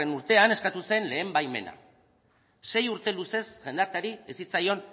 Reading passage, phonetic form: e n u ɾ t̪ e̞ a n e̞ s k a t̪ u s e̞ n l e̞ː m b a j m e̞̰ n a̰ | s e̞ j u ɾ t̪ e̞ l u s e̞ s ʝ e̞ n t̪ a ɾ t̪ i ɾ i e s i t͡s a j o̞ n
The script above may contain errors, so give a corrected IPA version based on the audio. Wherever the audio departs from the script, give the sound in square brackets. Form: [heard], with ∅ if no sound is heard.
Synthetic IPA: e n u ɾ t̪ e̞ a n e̞ s k a t̪ u s e̞ n l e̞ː m b a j m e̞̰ n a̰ | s e̞ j u ɾ t̪ e̞ l u s e̞ s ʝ e̞ n [d̪] a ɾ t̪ [a] ɾ i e s i t͡s a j o̞ n